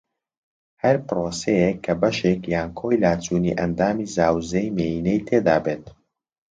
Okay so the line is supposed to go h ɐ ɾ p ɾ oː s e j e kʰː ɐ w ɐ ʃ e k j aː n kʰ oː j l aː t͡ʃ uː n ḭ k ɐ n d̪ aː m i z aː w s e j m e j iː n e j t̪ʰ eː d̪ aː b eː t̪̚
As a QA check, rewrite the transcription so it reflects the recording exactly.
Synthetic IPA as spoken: h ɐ ɾ p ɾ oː s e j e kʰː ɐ b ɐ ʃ e k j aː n kʰ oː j l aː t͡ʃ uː n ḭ ʔ ɐ n d̪ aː m i z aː w z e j m e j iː n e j t̪ʰ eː d̪ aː b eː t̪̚